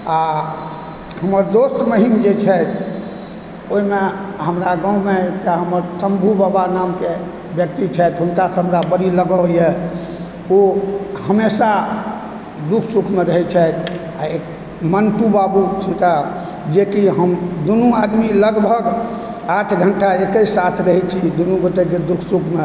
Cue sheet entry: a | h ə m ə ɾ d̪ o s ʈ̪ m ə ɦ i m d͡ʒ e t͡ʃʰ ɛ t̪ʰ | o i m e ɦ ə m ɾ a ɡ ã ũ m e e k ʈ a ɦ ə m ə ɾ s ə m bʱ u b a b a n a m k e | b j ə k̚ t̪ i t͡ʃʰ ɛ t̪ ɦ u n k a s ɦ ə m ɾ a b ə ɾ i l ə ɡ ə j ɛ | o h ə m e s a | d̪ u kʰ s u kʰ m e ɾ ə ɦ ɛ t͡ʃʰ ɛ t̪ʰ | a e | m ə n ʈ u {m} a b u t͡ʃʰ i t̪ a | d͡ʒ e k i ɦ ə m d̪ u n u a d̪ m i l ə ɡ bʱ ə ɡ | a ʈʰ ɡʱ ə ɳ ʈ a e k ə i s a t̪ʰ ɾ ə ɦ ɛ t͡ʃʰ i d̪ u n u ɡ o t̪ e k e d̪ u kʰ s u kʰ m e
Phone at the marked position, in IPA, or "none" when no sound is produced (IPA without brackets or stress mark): b